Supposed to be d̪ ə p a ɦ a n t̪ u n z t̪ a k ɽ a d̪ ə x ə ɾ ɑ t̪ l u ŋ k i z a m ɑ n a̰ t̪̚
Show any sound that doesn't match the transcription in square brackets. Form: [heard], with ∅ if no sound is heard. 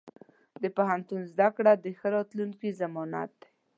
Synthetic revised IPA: d̪ ə p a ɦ a n t̪ u n z [d̪] a k ɽ a d̪ ə x ə ɾ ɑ t̪ l u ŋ k i z a m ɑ n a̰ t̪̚